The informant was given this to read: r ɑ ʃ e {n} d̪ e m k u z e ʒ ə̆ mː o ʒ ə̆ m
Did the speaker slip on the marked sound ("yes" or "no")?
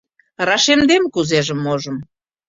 yes